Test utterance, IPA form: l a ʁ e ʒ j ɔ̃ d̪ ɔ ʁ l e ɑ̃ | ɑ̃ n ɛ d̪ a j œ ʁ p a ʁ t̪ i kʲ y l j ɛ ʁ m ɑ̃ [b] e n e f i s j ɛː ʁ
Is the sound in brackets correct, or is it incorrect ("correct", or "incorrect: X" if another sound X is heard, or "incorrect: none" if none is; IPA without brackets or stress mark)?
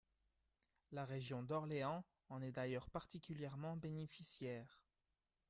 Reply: correct